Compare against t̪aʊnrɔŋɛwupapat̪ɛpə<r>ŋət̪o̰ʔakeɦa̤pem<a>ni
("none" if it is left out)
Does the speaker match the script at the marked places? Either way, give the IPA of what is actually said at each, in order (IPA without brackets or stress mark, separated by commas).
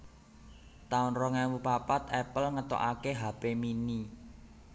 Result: l, i